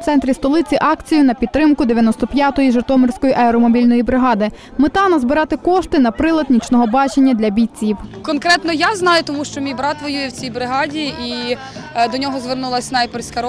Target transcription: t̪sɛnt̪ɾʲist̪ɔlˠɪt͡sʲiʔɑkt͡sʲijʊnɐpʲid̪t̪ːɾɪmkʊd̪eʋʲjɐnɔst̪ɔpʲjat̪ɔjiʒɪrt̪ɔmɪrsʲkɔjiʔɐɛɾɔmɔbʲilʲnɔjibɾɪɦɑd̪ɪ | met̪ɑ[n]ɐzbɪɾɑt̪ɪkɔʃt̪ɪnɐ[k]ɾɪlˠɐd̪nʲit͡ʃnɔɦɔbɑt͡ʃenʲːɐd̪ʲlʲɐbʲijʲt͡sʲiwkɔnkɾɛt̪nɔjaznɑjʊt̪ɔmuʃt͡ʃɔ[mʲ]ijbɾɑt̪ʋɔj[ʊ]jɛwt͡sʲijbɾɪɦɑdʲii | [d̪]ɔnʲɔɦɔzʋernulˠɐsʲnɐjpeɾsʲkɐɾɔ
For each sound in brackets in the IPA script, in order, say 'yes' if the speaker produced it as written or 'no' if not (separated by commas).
yes, no, yes, no, yes